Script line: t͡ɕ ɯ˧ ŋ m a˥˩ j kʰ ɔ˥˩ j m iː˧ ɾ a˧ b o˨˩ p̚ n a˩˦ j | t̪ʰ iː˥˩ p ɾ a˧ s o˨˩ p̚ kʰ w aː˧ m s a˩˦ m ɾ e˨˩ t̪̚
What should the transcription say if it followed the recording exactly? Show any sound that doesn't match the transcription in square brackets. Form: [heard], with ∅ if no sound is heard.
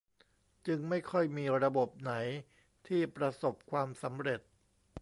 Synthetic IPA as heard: t͡ɕ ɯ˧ ŋ m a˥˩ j kʰ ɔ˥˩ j m iː˧ ɾ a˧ b o˨˩ p̚ n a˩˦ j | t̪ʰ iː˥˩ p ɾ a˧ s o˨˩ p̚ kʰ w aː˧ m s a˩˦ m ɾ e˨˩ t̪̚